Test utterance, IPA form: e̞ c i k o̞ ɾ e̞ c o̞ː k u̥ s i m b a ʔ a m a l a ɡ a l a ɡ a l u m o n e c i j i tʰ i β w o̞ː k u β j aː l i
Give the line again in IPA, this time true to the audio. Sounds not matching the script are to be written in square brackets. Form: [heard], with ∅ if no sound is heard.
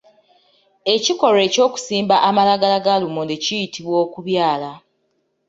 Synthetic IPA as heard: e̞ c i k o̞ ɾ e̞ c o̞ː k u̥ s [iː] m b a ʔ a m a l a ɡ a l a ɡ a l u m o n e c i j i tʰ i β w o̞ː k u β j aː l [a]